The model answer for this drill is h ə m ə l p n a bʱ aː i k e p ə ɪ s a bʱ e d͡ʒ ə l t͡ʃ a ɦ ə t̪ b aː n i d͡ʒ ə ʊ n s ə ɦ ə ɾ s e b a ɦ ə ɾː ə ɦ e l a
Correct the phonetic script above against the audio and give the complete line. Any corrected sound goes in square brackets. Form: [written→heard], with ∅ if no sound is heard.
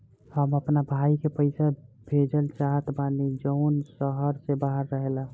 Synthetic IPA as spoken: h ə m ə [l→∅] p n a bʱ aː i k e p ə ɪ s a bʱ e d͡ʒ ə l t͡ʃ a ɦ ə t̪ b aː n i d͡ʒ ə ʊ n s ə ɦ ə ɾ s e b a ɦ ə ɾː ə ɦ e l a